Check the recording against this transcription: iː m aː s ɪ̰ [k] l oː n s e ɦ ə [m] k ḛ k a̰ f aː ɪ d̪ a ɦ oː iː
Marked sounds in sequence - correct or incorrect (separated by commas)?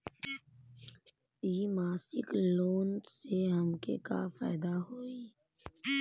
correct, correct